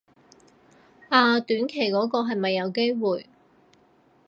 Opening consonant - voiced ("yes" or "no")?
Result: no